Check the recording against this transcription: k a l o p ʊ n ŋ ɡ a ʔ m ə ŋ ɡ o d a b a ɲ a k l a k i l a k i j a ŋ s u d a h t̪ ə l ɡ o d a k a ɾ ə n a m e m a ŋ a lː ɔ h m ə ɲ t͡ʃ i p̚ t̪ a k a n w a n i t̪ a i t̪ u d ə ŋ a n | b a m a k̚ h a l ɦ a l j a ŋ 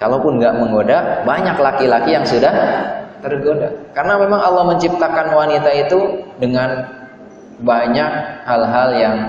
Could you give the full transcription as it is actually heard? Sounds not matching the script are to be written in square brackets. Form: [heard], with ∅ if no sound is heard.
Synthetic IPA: k a l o p ʊ n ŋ ɡ a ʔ m ə ŋ ɡ o d a b a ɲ a k l a k i l a k i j a ŋ s u d a h t̪ ə [r] ɡ o d a k a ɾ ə n a m e m a ŋ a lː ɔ h m ə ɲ t͡ʃ i p̚ t̪ a k a n w a n i t̪ a i t̪ u d ə ŋ a n | b a [ɲ] a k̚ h a l ɦ a l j a ŋ